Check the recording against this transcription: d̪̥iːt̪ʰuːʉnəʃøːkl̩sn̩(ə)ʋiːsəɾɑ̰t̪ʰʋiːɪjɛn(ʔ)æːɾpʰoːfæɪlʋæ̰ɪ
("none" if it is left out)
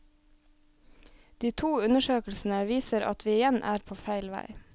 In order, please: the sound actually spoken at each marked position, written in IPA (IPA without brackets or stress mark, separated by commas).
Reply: ə, ʔ